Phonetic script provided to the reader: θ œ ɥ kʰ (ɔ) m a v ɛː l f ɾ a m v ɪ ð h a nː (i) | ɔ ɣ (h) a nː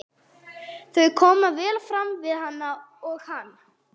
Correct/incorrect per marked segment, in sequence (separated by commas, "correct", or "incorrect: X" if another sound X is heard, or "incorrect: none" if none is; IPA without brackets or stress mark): incorrect: ɔː, incorrect: a, correct